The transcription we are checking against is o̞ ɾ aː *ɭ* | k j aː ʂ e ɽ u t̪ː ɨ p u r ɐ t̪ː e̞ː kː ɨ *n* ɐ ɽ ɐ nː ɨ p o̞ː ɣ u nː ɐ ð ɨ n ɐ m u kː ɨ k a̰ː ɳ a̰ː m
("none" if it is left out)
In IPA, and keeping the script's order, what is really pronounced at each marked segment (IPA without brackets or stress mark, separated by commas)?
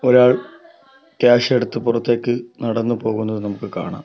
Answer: ɭ, n